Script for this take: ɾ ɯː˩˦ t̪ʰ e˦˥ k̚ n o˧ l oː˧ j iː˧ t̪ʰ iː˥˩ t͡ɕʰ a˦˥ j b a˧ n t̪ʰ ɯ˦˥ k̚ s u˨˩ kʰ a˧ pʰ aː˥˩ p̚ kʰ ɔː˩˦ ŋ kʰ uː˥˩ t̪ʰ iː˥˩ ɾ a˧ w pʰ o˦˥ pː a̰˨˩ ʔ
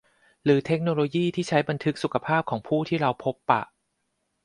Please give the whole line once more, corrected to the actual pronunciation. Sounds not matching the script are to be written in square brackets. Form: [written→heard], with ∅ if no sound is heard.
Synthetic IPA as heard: ɾ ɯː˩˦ t̪ʰ e˦˥ k̚ n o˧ l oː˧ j [iː˧→iː˥˩] t̪ʰ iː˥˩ t͡ɕʰ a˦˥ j b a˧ n t̪ʰ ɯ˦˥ k̚ s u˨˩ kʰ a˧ pʰ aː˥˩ p̚ kʰ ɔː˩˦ ŋ [kʰ→pʰ] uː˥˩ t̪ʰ iː˥˩ ɾ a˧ w pʰ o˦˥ pː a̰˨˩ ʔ